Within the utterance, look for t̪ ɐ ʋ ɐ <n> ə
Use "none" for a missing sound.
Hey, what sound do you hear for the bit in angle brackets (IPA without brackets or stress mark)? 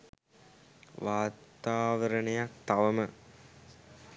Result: m